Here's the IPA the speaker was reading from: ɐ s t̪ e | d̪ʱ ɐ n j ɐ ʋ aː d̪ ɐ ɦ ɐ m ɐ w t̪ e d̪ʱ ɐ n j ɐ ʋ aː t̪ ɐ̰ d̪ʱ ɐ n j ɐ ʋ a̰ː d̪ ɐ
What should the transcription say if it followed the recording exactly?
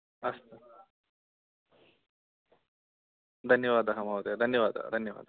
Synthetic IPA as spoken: ɐ s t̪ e | d̪ʱ ɐ n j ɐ ʋ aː d̪ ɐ ɦ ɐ m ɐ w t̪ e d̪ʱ ɐ n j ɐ ʋ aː d̪ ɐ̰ d̪ʱ ɐ n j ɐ ʋ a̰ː d̪ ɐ

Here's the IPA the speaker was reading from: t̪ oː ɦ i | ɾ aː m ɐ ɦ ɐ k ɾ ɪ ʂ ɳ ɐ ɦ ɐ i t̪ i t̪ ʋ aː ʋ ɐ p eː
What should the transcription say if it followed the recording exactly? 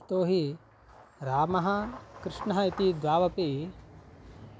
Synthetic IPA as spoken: t̪ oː ɦ i | ɾ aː m ɐ ɦ ɐ k ɾ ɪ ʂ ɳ ɐ ɦ ɐ i t̪ i d̪ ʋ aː ʋ ɐ p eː

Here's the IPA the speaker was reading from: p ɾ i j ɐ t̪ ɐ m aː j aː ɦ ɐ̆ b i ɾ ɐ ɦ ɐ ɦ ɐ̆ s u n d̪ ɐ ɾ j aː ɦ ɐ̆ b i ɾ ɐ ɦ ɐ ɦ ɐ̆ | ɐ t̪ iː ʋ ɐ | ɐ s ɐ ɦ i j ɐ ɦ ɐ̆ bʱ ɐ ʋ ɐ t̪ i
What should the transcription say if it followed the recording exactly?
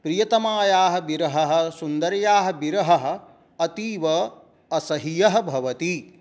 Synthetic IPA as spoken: p ɾ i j ɐ t̪ ɐ m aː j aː ɦ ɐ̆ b i ɾ ɐ ɦ ɐ ɦ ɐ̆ s u n d̪ ɐ ɾ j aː ɦ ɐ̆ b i ɾ ɐ ɦ ɐ ɦ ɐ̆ | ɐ t̪ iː ʋ ɐ | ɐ s ɐ ɦ i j ɐ ɦ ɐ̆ bʱ ɐ ʋ ɐ t̪ i

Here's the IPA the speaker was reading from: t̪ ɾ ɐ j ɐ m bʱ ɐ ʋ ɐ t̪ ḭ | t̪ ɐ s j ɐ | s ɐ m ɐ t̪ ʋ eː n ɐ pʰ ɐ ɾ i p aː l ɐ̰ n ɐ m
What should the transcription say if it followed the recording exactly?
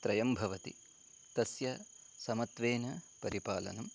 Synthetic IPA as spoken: t̪ ɾ ɐ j ɐ m bʱ ɐ ʋ ɐ t̪ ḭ | t̪ ɐ s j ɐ | s ɐ m ɐ t̪ ʋ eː n ɐ p ɐ ɾ i p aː l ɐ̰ n ɐ m

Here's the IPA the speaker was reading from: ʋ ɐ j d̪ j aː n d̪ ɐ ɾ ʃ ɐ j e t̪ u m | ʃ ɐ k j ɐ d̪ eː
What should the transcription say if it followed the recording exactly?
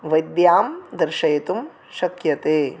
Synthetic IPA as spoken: ʋ ɐ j d̪ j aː m d̪ ɐ ɾ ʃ ɐ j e t̪ u m | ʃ ɐ k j ɐ t̪ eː

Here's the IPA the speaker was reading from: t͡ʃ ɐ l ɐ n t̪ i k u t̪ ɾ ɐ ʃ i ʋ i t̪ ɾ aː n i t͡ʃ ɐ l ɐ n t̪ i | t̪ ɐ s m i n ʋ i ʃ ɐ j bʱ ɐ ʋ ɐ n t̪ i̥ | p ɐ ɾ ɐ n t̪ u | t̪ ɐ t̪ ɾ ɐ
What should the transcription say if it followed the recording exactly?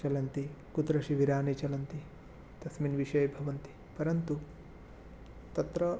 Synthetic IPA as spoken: t͡ʃ ɐ l ɐ n t̪ i k u t̪ ɾ ɐ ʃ i ʋ i ɾ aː n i t͡ʃ ɐ l ɐ n t̪ i | t̪ ɐ s m i n ʋ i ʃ ɐ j bʱ ɐ ʋ ɐ n t̪ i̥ | p ɐ ɾ ɐ n t̪ u | t̪ ɐ t̪ ɾ ɐ

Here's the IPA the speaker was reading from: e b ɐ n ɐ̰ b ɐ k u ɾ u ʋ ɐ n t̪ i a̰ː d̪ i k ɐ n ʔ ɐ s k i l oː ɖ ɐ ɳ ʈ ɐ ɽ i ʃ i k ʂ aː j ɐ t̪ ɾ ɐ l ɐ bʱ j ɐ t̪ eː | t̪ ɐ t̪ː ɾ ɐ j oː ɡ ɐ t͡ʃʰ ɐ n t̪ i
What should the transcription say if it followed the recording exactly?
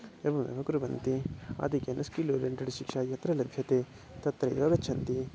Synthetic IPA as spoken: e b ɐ m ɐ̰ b ɐ k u ɾ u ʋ ɐ n t̪ i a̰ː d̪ i k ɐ n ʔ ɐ s k i l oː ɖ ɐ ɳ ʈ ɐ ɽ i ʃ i k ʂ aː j ɐ t̪ ɾ ɐ l ɐ bʱ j ɐ t̪ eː | t̪ ɐ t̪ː ɾ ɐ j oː ɡ ɐ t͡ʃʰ ɐ n t̪ i

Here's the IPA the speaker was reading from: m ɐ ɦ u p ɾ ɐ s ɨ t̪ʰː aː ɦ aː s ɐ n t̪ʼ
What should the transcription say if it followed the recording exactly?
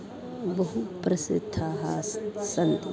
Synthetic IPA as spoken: b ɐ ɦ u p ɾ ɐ s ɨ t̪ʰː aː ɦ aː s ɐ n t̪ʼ

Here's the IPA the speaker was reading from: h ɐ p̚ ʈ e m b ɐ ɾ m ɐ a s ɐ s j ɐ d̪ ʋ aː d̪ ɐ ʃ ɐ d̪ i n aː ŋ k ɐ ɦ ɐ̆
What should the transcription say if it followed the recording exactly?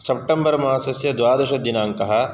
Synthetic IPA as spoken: s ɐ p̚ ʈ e m b ɐ ɾ m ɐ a s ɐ s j ɐ d̪ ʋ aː d̪ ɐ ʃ ɐ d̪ i n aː ŋ k ɐ ɦ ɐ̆

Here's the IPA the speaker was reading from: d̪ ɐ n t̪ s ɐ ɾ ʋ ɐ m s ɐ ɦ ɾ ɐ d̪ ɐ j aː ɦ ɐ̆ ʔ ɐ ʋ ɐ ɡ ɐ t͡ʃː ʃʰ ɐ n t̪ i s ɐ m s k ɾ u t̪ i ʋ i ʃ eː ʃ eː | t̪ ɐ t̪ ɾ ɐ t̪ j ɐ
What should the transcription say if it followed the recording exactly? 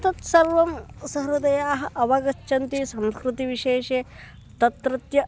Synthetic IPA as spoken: t̪ ɐ t̪ s ɐ ɾ ʋ ɐ m s ɐ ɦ ɾ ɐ d̪ ɐ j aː ɦ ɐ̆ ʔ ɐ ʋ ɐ ɡ ɐ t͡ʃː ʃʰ ɐ n t̪ i s ɐ m s k ɾ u t̪ i ʋ i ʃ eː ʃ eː | t̪ ɐ t̪ ɾ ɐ t̪ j ɐ

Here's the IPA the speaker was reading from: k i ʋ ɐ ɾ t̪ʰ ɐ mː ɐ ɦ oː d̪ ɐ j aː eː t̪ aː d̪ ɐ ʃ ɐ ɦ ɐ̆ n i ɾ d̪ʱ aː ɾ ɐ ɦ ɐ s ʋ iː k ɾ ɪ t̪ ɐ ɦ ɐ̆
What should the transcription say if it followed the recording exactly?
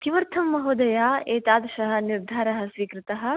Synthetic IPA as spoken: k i ʋ ɐ ɾ t̪ʰ ɐ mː ɐ ɦ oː d̪ ɐ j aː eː t̪ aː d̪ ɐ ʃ ɐ ɦ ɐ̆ n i ɾ d̪ʱ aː ɾ ɐ ɦ ɐ s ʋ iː k ɾ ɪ t̪ ɐ ɦ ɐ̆

